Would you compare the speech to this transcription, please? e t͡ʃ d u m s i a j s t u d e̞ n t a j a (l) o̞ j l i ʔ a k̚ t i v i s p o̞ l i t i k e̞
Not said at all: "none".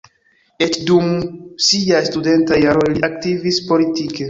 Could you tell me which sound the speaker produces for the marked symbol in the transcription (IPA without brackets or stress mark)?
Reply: ɾ